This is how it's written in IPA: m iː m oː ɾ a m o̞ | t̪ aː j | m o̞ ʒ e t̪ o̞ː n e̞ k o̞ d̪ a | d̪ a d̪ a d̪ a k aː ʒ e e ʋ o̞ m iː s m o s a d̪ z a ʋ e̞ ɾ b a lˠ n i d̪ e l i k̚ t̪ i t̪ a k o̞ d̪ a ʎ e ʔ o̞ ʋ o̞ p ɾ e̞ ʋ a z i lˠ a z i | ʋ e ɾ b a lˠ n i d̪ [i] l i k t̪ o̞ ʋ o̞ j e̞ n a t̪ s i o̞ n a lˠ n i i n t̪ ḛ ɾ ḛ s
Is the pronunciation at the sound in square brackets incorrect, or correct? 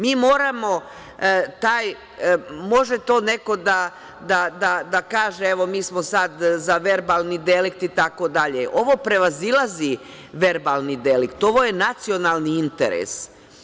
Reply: incorrect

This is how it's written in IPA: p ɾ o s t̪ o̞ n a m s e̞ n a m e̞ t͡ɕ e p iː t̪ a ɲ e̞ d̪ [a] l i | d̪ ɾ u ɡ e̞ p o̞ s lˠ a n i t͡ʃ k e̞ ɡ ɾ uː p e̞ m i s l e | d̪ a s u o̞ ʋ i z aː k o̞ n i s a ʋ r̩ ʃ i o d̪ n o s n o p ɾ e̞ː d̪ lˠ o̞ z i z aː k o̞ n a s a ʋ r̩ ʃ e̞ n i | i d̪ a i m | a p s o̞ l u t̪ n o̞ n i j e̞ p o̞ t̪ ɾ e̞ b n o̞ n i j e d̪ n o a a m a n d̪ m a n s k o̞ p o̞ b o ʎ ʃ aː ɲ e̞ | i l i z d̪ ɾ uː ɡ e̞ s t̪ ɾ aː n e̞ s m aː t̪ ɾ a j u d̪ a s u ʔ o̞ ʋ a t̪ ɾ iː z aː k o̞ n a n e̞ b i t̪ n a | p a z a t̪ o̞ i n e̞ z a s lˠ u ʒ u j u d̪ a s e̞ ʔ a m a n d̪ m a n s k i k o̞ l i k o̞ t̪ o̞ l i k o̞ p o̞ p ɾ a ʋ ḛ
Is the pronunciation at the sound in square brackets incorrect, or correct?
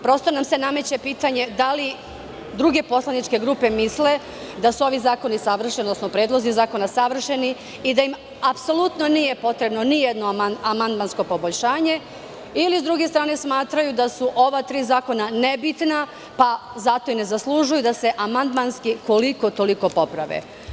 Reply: correct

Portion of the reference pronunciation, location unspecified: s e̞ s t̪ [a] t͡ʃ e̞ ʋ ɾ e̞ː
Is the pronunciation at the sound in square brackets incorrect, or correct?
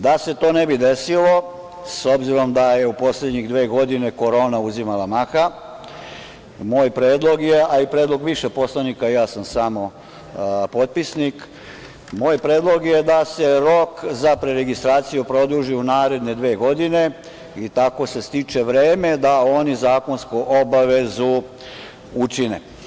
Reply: incorrect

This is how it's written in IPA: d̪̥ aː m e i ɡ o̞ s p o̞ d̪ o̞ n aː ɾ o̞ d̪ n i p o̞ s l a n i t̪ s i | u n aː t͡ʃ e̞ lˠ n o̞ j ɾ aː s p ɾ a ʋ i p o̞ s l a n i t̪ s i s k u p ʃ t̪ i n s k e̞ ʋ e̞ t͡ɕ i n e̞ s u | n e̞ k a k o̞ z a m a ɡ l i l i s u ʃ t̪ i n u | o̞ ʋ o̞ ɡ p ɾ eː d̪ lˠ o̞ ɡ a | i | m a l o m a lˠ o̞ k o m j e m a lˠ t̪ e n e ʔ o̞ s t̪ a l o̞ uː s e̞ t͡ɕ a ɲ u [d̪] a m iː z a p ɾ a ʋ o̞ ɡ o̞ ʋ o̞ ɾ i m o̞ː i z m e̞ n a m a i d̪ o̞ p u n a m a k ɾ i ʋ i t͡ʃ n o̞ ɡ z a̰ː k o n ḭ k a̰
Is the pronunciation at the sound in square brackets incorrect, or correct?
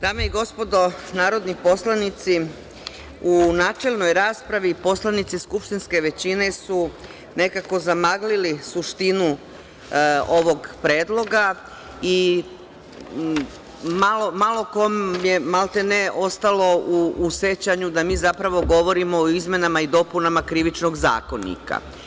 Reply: correct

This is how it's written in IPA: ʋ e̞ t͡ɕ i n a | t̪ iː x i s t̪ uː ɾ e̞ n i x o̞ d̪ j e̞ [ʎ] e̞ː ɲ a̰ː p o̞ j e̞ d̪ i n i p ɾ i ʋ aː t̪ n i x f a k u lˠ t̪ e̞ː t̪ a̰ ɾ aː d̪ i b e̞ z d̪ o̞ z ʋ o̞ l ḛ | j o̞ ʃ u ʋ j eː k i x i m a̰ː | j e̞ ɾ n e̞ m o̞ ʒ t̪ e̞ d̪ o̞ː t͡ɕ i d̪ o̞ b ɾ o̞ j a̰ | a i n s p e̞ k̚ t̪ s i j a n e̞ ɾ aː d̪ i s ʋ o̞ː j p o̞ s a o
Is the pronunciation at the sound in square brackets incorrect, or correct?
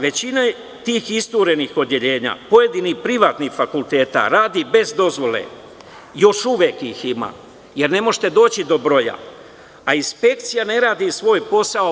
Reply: correct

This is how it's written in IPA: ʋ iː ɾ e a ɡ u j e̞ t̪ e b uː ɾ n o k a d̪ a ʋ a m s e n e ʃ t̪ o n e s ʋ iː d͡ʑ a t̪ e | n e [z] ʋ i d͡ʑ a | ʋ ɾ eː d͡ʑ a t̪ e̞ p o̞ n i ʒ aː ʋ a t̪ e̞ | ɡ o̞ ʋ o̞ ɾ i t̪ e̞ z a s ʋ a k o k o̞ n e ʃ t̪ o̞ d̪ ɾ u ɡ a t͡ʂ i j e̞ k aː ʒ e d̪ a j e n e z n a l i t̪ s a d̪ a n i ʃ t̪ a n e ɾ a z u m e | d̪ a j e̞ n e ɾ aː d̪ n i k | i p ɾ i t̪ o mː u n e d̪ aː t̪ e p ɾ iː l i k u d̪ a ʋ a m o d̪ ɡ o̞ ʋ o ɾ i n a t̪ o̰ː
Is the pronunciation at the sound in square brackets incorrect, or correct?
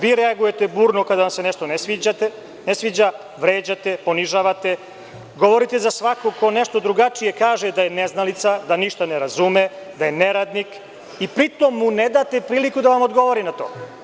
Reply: incorrect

